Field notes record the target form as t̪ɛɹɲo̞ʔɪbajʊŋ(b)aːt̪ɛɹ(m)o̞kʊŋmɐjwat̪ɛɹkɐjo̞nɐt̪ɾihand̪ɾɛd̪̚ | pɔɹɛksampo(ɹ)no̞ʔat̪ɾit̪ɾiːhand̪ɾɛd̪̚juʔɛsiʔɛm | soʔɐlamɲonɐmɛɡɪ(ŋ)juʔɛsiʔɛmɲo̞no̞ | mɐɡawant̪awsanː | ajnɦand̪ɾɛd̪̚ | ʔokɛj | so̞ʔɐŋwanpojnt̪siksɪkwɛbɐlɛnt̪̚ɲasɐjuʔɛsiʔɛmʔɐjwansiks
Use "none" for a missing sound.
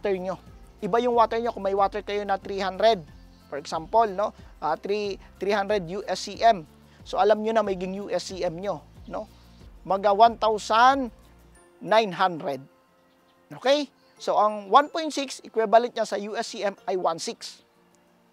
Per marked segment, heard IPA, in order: w, ɲ, l, ŋ

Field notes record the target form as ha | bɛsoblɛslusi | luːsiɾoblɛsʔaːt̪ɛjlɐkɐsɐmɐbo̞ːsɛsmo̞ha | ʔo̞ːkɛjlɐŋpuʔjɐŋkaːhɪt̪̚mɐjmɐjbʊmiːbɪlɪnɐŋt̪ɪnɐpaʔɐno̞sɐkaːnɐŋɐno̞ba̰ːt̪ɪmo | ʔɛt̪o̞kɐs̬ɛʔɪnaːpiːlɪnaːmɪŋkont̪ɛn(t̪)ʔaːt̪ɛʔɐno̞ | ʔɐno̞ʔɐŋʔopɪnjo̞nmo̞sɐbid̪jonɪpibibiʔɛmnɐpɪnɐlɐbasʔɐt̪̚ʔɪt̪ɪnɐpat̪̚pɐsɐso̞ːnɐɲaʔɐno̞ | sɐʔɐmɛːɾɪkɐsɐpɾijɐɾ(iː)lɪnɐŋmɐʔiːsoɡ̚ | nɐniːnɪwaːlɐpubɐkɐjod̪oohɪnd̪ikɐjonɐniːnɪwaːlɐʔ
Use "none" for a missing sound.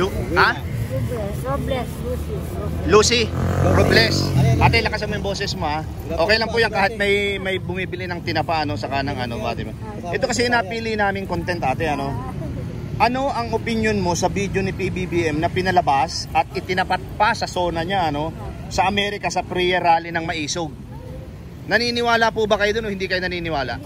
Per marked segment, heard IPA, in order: t̪, aː

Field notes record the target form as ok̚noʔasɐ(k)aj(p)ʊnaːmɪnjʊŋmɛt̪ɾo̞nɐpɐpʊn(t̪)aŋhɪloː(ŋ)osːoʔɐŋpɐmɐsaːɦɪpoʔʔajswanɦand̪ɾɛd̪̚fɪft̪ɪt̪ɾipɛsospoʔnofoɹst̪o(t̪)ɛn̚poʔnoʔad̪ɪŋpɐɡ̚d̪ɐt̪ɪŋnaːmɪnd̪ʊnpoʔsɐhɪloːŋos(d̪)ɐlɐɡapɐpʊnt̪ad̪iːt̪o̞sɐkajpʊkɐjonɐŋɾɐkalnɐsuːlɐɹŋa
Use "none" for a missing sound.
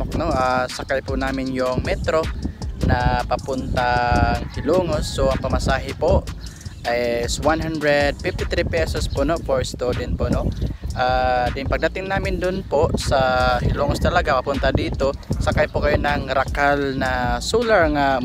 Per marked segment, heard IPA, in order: k, p, t̪, ŋ, d̪, t̪

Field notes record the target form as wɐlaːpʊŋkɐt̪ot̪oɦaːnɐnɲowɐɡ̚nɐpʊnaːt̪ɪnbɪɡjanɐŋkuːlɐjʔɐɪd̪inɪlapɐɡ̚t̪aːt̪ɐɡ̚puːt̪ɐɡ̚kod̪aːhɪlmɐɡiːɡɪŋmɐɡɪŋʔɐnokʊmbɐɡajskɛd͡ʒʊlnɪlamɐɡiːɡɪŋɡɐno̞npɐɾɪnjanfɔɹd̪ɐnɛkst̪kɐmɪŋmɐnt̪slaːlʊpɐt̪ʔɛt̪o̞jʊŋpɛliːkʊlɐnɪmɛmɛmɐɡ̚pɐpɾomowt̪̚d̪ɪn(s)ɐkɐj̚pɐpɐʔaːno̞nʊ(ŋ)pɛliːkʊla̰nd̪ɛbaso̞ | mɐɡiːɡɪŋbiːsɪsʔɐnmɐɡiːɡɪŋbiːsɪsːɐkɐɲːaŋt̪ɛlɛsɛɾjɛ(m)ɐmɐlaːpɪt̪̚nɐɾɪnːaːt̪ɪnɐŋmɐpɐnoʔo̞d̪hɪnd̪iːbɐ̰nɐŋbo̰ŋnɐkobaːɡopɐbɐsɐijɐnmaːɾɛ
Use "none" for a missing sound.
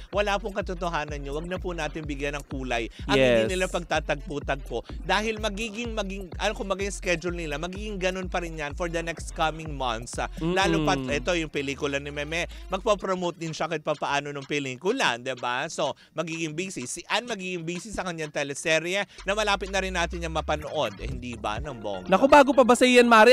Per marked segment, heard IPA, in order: ʃ, ŋ, n

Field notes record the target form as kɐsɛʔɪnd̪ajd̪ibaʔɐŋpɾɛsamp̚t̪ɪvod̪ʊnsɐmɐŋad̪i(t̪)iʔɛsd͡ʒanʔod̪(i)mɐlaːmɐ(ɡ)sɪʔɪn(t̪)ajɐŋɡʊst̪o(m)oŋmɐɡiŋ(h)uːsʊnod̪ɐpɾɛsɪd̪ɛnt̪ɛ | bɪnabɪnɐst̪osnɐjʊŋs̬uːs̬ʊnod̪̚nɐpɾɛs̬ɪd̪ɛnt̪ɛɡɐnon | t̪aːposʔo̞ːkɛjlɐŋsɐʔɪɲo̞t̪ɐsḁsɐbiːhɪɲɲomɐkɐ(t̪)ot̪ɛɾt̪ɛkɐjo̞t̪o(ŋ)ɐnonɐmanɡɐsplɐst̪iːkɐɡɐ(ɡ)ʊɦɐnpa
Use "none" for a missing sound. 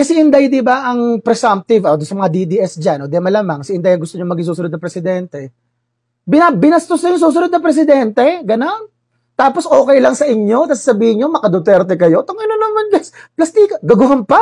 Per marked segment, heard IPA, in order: d̪, ɛ, ŋ, d̪, ɲ, s, d̪, ŋ, ɡ

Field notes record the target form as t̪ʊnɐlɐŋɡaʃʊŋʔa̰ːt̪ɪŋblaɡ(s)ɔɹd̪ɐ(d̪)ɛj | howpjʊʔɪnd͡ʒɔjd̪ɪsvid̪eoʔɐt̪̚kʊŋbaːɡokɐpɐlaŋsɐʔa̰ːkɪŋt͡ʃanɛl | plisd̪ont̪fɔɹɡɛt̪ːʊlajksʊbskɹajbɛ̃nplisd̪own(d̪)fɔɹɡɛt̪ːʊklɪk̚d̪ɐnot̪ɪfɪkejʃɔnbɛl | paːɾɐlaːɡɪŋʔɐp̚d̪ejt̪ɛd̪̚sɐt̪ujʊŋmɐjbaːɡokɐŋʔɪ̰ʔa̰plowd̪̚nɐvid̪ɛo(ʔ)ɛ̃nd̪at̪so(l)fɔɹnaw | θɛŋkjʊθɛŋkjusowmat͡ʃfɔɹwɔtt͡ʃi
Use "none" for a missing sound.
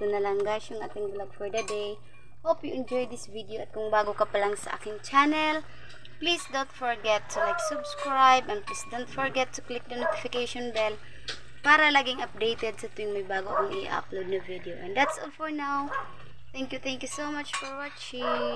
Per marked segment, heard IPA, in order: f, d̪, t̪, ʔ, l

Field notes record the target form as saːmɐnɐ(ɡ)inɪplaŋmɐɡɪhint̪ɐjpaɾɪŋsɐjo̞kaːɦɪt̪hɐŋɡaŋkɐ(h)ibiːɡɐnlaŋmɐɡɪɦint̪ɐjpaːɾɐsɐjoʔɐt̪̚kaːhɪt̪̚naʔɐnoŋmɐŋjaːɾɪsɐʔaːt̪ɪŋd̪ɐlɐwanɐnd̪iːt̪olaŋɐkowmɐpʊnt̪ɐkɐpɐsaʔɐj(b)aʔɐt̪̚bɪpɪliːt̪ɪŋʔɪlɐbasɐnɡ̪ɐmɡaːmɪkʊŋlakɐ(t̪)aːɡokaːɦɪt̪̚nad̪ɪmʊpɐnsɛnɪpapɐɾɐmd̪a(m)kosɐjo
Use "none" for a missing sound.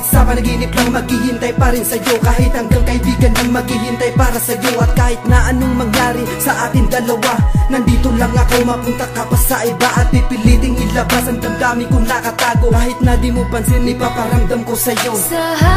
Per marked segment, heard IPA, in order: ɡ, h, b, t̪, m

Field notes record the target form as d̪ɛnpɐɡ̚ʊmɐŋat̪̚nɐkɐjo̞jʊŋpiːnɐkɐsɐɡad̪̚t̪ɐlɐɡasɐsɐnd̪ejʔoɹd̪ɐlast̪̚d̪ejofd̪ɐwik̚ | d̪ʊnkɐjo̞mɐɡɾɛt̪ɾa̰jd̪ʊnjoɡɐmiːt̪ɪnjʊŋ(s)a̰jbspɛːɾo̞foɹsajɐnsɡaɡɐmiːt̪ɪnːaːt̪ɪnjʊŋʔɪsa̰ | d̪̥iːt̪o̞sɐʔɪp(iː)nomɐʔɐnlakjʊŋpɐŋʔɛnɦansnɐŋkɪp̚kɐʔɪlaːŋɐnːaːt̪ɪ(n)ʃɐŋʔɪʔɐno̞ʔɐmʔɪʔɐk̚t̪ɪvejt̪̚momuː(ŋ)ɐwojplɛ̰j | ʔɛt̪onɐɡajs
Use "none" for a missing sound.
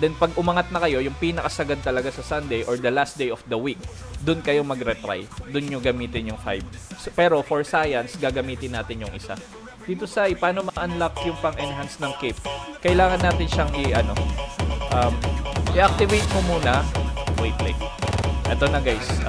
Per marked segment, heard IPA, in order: f, aː, n, n

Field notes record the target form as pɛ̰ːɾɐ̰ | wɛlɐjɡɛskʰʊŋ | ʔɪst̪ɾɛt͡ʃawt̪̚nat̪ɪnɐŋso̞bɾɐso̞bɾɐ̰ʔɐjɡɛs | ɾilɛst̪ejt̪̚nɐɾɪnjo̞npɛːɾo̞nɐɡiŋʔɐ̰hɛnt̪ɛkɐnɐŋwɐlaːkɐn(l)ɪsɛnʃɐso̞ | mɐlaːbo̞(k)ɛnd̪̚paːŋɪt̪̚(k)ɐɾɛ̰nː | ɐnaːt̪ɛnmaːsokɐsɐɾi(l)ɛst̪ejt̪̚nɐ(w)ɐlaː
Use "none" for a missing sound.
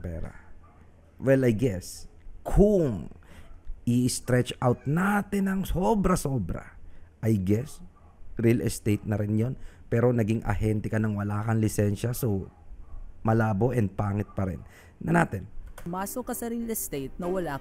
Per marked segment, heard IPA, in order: l, ʔ, p, l, w

